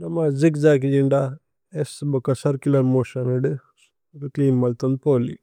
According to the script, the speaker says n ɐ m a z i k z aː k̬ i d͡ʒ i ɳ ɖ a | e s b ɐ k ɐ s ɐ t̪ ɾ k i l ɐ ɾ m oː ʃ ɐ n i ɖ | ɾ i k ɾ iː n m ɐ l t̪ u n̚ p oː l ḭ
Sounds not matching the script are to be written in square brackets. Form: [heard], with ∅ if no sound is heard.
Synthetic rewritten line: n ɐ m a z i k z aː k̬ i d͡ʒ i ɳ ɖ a | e s b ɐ k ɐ s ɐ [∅] ɾ k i l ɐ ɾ m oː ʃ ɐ n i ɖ | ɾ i k [l] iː n m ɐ l t̪ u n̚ p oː l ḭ